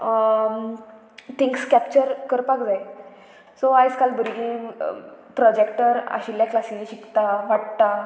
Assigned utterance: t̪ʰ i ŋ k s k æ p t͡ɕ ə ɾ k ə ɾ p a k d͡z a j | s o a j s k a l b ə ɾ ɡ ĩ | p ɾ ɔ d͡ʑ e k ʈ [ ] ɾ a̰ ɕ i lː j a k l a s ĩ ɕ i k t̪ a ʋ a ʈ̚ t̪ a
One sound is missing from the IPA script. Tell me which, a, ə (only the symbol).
ə